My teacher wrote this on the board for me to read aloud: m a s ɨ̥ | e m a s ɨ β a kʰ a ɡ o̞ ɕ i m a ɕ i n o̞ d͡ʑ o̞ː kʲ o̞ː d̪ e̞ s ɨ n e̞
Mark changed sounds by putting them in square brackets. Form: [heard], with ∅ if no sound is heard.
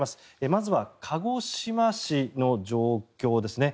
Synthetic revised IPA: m a s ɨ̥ | e m a [z] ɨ β a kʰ a ɡ o̞ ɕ i m a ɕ i n o̞ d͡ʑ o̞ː kʲ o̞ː d̪ e̞ s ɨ n e̞